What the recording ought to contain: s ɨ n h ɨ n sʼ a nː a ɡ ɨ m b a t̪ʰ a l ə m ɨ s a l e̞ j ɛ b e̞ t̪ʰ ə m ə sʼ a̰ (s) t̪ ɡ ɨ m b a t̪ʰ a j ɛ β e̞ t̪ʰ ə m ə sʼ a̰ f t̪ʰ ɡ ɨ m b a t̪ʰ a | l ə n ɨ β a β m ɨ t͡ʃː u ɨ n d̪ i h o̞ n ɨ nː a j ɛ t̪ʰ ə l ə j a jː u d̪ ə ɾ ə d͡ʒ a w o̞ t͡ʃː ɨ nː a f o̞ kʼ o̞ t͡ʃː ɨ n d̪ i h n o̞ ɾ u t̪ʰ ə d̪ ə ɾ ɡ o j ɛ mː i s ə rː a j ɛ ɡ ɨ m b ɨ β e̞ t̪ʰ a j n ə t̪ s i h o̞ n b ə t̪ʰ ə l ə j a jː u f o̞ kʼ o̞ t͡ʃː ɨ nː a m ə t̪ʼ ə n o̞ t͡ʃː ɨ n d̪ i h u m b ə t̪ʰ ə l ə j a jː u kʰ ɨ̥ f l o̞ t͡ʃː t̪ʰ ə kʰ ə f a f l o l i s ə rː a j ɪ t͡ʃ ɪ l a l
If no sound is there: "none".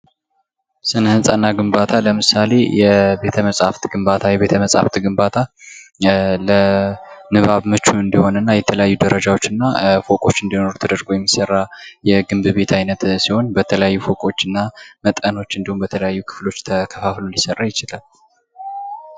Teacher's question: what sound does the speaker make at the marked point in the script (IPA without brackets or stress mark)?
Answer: f